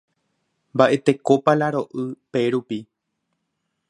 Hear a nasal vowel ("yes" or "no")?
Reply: no